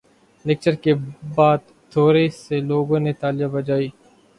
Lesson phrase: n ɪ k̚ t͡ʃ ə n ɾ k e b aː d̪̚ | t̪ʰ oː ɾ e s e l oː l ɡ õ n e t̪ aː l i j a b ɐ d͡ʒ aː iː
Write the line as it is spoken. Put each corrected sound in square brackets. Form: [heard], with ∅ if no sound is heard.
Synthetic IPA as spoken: n ɪ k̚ t͡ʃ ə [∅] ɾ k e b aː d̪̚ | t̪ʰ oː ɾ e s e l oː [∅] ɡ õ n e t̪ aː l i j a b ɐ d͡ʒ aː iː